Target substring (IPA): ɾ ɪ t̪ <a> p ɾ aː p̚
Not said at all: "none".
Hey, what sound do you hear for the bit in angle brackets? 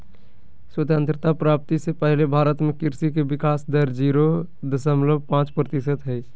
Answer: a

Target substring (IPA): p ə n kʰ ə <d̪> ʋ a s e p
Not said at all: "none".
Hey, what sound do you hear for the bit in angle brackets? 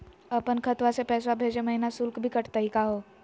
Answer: t̪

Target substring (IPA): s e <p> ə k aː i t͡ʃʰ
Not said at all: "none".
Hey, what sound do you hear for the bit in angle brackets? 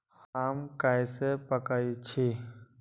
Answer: p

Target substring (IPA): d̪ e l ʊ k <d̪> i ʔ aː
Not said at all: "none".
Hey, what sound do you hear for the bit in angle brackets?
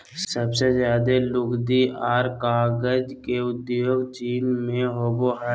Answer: d̪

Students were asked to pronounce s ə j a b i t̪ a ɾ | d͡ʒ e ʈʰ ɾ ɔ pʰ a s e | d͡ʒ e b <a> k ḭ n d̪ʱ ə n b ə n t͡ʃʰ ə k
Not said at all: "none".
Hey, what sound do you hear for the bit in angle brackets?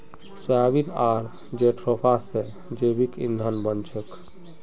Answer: i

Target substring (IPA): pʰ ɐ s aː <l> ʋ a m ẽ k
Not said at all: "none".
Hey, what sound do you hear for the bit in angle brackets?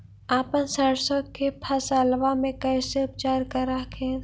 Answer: l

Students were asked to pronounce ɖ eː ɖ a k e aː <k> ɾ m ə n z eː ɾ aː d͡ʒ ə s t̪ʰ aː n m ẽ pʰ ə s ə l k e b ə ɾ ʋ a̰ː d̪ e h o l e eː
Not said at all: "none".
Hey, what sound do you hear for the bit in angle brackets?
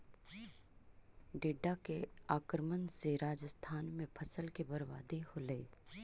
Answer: k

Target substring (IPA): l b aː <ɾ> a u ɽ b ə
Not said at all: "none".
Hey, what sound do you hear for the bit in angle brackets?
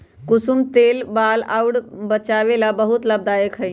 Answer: l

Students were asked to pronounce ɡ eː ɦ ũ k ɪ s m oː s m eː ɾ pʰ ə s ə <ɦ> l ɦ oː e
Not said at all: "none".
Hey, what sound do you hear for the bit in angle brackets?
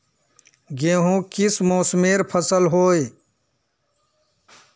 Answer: none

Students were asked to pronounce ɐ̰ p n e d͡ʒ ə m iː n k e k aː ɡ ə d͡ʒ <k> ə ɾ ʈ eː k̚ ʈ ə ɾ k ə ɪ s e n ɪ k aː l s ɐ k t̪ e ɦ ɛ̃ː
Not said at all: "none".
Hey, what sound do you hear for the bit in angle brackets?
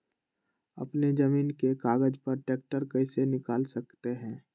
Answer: p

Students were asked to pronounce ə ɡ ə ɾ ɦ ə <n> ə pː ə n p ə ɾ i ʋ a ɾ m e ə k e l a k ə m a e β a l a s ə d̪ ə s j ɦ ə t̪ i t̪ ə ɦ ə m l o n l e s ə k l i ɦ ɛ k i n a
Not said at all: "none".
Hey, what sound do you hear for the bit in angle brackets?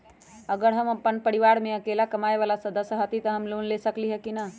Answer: m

